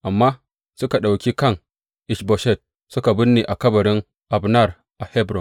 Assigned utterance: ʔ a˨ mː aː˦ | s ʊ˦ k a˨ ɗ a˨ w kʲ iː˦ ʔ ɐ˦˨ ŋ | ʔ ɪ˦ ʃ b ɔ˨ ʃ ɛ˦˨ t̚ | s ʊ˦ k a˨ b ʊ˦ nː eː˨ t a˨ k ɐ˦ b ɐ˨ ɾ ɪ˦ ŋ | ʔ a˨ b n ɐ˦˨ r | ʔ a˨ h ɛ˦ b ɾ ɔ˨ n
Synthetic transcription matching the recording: ʔ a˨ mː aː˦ | s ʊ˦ k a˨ ɗ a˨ w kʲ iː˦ k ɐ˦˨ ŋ | ʔ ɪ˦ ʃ b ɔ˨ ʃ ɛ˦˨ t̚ | s ʊ˦ k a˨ b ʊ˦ nː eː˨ ʔ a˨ k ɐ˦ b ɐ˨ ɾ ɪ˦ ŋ | ʔ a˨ b n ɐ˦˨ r | ʔ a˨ h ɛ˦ b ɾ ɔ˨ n